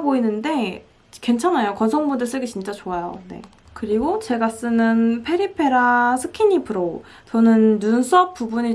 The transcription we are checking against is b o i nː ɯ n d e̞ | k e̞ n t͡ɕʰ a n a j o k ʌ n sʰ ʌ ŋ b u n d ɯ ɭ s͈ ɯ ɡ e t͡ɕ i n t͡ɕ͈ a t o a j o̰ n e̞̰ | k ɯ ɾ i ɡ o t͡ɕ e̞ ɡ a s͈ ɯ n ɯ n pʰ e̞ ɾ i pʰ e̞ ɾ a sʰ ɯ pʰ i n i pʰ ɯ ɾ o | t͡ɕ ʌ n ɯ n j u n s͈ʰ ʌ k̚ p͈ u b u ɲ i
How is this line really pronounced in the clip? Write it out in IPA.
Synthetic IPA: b o i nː ɯ n d e̞ | k e̞ n t͡ɕʰ a n a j o k ʌ n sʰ ʌ ŋ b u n d ɯ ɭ s͈ ɯ ɡ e t͡ɕ i n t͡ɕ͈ a t͡ɕ o a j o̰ n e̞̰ | k ɯ ɾ i ɡ o t͡ɕ e̞ ɡ a s͈ ɯ n ɯ n pʰ e̞ ɾ i pʰ e̞ ɾ a sʰ ɯ kʰ i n i pʰ ɯ ɾ o | t͡ɕ ʌ n ɯ n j u n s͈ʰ ʌ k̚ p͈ u b u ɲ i

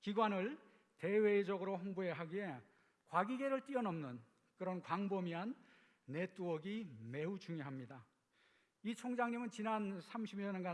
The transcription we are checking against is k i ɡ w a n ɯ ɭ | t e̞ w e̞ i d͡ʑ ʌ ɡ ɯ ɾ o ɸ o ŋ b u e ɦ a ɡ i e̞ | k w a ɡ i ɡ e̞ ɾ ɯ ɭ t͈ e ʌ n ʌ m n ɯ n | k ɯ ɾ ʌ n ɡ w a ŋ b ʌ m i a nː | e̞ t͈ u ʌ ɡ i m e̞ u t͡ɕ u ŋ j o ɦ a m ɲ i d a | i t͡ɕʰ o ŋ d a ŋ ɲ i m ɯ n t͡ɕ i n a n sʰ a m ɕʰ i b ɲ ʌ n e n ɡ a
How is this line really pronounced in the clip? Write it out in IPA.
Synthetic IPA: k i ɡ w a n ɯ ɭ | t e̞ w e̞ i d͡ʑ ʌ ɡ ɯ ɾ o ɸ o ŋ b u e ɦ a ɡ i e̞ | k w a ɡ i ɡ e̞ ɾ ɯ ɭ t͈ i ʌ n ʌ m n ɯ n | k ɯ ɾ ʌ n k w a ŋ b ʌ m i a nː | e̞ t͈ u ʌ ɡ i m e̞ u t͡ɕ u ŋ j o ɦ a m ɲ i d a | i t͡ɕʰ o ŋ d͡ʑ a ŋ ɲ i m ɯ n t͡ɕ i n a n sʰ a m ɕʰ i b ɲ ʌ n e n ɡ a

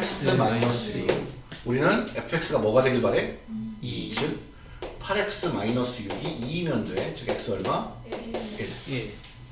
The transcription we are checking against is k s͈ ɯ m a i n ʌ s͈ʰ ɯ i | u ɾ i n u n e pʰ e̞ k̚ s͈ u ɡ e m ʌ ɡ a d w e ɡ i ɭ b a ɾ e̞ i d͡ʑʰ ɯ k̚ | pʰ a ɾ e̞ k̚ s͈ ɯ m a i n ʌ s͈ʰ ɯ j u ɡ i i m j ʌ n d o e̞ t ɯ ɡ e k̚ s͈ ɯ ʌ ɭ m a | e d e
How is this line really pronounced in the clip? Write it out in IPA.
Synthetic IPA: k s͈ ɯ m a i n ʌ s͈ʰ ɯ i | u ɾ i n ɯ n e pʰ e̞ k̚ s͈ ɯ ɡ a m ʌ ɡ a d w e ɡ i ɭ b a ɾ e̞ i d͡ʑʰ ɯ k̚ | pʰ a ɾ e̞ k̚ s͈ ɯ m a i n ʌ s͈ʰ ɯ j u ɡ i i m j ʌ n d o e̞ t͡ɕ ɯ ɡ e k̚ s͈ ɯ ʌ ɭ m a | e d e

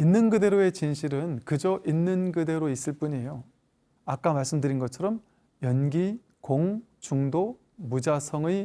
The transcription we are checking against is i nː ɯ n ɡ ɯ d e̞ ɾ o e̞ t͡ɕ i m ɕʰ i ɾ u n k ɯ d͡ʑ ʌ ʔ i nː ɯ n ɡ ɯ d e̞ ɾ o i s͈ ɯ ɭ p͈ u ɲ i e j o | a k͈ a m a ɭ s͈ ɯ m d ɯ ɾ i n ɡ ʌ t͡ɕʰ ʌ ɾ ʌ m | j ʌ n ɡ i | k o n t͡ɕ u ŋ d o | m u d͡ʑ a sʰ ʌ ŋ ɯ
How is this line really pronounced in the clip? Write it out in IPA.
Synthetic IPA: i nː ɯ n ɡ ɯ d e̞ ɾ o e̞ t͡ɕ i n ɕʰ i ɾ ɯ n k ɯ d͡ʑ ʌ ʔ i nː ɯ n ɡ ɯ d e̞ ɾ o i s͈ ɯ ɭ p͈ u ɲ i e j o | a k͈ a m a ɭ s͈ ɯ m d ɯ ɾ i n ɡ ʌ t͡ɕʰ ʌ ɾ ʌ m | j ʌ n ɡ i | k o ŋ t͡ɕ u ŋ d o | m u d͡ʑ a sʰ ʌ ŋ ɯ

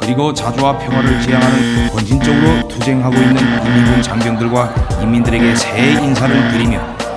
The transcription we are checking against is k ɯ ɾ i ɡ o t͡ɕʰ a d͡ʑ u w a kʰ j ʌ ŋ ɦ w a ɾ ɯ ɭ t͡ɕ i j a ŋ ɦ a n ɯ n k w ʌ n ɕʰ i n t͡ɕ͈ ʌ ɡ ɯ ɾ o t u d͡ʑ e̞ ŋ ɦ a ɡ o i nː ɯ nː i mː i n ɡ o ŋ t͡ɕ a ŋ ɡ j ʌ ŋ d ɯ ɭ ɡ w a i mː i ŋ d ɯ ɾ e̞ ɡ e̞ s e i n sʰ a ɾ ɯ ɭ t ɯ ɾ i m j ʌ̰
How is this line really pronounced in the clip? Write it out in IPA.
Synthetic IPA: k ɯ ɾ i ɡ o t͡ɕ a d͡ʑ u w a pʰ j ʌ ŋ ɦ w a ɾ ɯ ɭ t͡ɕ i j a ŋ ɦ a n ɯ n k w ʌ n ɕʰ i n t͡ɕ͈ ʌ ɡ ɯ ɾ o t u d͡ʑ e̞ ŋ ɦ a ɡ o i nː ɯ n i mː i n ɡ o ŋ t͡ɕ a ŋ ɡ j ʌ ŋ d ɯ ɭ ɡ w a i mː i n d ɯ ɾ e̞ ɡ e̞ s e i n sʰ a ɾ ɯ ɭ t ɯ ɾ i m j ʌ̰

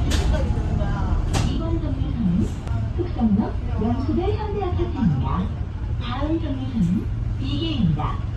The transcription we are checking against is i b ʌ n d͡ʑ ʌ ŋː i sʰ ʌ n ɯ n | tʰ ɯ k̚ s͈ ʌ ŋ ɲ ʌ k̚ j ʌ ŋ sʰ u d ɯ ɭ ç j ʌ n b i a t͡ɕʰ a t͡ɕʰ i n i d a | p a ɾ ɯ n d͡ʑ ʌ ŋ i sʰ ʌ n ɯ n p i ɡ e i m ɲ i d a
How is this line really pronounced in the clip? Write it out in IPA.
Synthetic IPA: i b ʌ n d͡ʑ ʌ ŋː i sʰ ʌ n ɯ n | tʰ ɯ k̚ s͈ ʌ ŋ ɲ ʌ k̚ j ʌ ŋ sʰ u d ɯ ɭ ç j ʌ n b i a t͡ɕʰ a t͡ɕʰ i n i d a | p a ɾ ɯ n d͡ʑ ʌ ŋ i sʰ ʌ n ɯ n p i ɡ e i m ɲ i d a

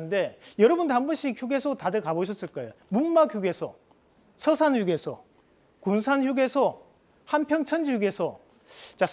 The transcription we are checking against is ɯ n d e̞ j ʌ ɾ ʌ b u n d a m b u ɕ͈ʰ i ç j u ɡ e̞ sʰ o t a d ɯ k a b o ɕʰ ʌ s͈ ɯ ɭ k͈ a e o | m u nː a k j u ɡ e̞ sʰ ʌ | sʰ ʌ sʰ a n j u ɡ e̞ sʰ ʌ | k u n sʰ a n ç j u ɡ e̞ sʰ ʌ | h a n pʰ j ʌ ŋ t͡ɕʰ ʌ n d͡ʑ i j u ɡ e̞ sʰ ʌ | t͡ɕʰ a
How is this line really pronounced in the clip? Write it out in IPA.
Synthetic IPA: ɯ n d e̞ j ʌ ɾ ʌ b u n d a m b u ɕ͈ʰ i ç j u ɡ e̞ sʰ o t a d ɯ k a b o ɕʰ ʌ s͈ ɯ ɭ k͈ a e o | m u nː a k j u ɡ e̞ sʰ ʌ | sʰ ʌ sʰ a n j u ɡ e̞ sʰ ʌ | k u n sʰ a n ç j u ɡ e̞ sʰ ʌ | h a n pʰ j ʌ ŋ t͡ɕʰ ʌ n d͡ʑ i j u ɡ e̞ sʰ ʌ | t͡ɕ a

